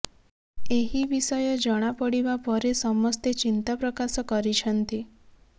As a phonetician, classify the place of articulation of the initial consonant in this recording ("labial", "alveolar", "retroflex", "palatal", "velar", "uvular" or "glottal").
glottal